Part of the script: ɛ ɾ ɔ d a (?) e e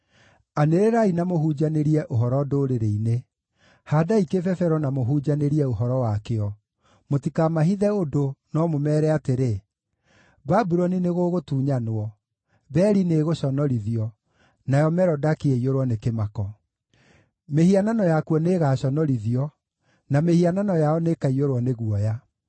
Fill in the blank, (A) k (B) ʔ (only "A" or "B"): A